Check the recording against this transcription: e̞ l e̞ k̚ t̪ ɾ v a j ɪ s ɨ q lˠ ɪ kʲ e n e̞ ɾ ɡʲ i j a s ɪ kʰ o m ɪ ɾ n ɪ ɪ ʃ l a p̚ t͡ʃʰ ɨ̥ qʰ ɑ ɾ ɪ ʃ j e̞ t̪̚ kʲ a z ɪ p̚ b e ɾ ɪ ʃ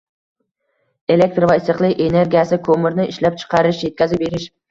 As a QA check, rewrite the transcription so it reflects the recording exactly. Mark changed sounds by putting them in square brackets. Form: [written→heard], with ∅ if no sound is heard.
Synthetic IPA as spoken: e̞ l e̞ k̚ t̪ ɾ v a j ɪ s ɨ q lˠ ɪ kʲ e n e̞ ɾ ɡʲ i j a s ɪ kʰ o m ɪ ɾ n ɪ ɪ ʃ l a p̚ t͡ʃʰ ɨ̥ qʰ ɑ ɾ ɪ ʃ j e̞ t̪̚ kʲ a z ɪ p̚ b e ɾ ɪ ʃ

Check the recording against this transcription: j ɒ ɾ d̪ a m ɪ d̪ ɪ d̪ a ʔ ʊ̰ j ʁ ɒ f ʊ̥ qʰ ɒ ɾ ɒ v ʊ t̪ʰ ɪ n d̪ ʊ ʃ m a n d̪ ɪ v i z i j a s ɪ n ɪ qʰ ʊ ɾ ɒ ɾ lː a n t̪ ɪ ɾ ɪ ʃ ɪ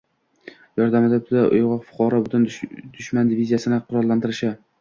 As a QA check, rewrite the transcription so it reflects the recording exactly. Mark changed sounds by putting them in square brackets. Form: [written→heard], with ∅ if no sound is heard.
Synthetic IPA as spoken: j ɒ ɾ d̪ a m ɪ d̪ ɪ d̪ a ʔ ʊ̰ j ʁ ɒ f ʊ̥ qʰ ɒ ɾ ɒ [v→b] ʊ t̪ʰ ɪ n d̪ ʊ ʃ m a n d̪ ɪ v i z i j a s ɪ n ɪ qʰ ʊ ɾ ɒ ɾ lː a n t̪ ɪ ɾ ɪ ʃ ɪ

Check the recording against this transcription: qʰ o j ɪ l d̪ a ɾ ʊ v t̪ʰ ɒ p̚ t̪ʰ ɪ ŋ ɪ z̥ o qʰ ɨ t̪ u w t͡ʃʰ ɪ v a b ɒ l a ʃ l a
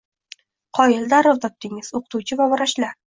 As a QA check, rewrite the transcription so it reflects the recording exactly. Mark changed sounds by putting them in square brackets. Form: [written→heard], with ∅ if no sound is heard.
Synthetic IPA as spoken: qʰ [o→ɒ] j ɪ l d̪ a ɾ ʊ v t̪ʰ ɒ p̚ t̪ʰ ɪ ŋ ɪ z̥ o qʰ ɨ t̪ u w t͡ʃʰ ɪ v a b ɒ [l→ɾ] a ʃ l a

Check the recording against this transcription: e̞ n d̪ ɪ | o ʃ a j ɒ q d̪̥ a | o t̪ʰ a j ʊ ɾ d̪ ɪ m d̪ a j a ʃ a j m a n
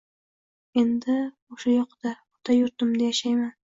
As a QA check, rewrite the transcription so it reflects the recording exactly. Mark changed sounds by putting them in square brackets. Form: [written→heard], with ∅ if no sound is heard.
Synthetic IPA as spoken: e̞ n d̪ ɪ | o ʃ a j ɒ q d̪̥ a | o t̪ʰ a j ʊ ɾ [d̪→t̪] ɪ m d̪ a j a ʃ a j m a n

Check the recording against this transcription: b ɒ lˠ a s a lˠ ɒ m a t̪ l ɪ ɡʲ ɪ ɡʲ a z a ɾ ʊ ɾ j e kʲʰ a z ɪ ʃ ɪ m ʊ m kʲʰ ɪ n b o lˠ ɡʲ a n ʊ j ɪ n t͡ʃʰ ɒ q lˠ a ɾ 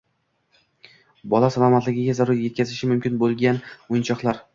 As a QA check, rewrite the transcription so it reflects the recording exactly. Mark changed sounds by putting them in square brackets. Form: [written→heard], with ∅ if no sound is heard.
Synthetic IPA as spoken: b ɒ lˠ a s a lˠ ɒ m a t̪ l ɪ ɡʲ ɪ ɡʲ a z a ɾ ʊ ɾ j e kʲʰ a z ɪ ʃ ɪ m ʊ m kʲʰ ɪ n b o lˠ ɡʲ a n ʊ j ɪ n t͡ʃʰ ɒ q lˠ a ɾ

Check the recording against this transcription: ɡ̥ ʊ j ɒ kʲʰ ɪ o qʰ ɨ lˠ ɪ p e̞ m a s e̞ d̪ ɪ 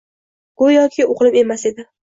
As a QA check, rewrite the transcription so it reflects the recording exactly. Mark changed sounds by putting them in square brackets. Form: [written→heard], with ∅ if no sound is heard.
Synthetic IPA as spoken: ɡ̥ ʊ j ɒ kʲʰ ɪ o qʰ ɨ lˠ ɪ p e̞ m a s e̞ d̪ ɪ

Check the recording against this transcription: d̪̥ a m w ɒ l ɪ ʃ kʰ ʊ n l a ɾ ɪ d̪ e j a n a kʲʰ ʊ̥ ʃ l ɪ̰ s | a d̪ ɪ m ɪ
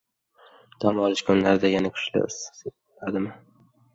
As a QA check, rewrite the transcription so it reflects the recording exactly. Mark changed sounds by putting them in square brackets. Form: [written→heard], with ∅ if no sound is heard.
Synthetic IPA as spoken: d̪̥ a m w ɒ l ɪ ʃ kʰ ʊ n l a ɾ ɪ d̪ [e→a] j a n a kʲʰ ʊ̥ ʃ l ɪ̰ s | a d̪ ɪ m ɪ

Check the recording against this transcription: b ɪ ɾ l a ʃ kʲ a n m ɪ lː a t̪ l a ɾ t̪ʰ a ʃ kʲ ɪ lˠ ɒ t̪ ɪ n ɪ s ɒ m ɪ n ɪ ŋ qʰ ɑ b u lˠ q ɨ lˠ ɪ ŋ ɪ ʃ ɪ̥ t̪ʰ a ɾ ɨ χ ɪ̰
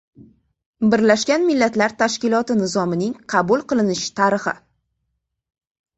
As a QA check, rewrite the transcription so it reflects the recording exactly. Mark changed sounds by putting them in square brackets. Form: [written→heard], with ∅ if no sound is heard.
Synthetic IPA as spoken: b ɪ ɾ l a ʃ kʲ a n m ɪ lː a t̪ l a ɾ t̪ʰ a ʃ kʲ ɪ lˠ ɒ t̪ ɪ n ɪ [s→z] ɒ m ɪ n ɪ ŋ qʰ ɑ b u lˠ q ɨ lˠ ɪ [ŋ→n] ɪ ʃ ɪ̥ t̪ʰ a ɾ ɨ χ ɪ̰

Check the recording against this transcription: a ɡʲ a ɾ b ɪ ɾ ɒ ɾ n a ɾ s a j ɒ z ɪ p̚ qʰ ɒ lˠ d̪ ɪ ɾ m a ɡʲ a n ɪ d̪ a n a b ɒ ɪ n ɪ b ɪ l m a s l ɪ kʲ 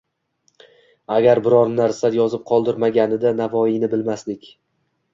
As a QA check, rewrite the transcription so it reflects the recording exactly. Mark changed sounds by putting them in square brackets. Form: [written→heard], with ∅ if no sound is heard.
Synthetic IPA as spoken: a ɡʲ a ɾ b ɪ ɾ ɒ ɾ n a ɾ s a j ɒ z ɪ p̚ qʰ ɒ lˠ d̪ ɪ ɾ m a ɡʲ a n ɪ d̪ a n a [b→v] ɒ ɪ n ɪ b ɪ l m a s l ɪ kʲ

